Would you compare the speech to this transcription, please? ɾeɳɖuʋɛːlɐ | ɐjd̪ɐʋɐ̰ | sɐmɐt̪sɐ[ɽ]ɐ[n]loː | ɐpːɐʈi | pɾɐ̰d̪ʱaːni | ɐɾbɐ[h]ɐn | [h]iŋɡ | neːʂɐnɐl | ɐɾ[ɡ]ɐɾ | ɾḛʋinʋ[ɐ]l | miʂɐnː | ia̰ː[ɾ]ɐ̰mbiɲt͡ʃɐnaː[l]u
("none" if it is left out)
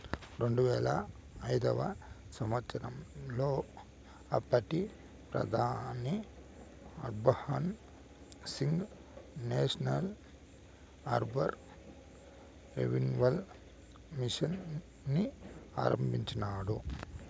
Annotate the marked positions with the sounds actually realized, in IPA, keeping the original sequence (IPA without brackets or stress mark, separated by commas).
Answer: ɾ, m, h, s, b, ɐ, ɾ, ɽ